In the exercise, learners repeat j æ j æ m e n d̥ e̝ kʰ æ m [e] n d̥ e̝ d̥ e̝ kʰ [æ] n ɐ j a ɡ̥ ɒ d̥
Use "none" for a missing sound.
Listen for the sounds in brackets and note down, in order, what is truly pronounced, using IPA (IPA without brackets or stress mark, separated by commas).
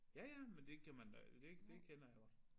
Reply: æ, e